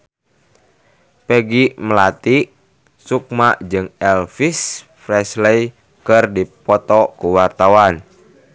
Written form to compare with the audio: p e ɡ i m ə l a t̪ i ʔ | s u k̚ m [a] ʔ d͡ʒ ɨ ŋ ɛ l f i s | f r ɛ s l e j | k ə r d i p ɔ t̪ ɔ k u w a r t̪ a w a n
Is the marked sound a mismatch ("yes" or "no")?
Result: no